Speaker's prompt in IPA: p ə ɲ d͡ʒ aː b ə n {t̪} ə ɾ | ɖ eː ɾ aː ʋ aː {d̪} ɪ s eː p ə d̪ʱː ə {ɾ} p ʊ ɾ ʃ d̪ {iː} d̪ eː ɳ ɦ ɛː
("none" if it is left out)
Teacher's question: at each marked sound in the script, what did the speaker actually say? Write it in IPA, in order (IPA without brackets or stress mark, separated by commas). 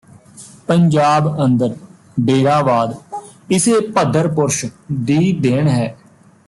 d̪, d̪, ɾ, iː